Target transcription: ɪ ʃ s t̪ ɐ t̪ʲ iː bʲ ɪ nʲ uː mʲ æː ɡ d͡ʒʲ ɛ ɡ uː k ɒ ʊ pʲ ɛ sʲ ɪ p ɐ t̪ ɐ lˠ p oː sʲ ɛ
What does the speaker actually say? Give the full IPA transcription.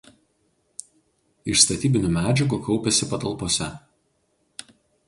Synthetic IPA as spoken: ɪ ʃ s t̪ ɐ t̪ʲ iː bʲ ɪ nʲ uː mʲ æː d͡ʒʲ ɛ ɡ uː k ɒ ʊ pʲ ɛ sʲ ɪ p ɐ t̪ ɐ lˠ p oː sʲ ɛ